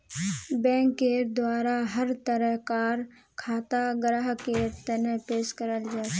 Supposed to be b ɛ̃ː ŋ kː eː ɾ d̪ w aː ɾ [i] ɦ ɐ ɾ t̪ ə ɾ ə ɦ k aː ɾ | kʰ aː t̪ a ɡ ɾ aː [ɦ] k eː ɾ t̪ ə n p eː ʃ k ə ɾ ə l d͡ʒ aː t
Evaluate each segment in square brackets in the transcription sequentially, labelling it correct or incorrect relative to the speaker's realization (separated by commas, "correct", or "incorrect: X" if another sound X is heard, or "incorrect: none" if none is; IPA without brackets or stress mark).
incorrect: a, correct